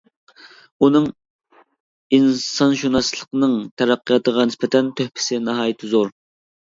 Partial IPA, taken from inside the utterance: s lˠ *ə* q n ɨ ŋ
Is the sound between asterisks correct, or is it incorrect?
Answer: correct